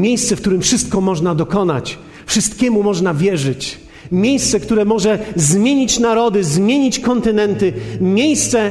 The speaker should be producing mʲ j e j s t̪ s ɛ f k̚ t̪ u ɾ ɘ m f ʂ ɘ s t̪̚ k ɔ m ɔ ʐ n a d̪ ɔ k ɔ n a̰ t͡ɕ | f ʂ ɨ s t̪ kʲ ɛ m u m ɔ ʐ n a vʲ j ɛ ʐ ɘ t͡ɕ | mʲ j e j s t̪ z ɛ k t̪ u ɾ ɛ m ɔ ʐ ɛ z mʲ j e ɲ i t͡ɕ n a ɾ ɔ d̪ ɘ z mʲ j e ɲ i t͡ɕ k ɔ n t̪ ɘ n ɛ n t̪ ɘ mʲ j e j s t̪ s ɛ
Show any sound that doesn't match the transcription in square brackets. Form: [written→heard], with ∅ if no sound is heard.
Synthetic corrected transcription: mʲ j e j s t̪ s ɛ f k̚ t̪ u ɾ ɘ m f ʂ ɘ s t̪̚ k ɔ m ɔ ʐ n a d̪ ɔ k ɔ n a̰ t͡ɕ | f ʂ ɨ s t̪ kʲ ɛ m u m ɔ ʐ n a vʲ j ɛ ʐ ɘ t͡ɕ | mʲ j e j s t̪ [z→s] ɛ k t̪ u ɾ ɛ m ɔ ʐ ɛ z mʲ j e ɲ i t͡ɕ n a ɾ ɔ d̪ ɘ z mʲ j e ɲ i t͡ɕ k ɔ n t̪ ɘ n ɛ n t̪ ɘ mʲ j e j s t̪ s ɛ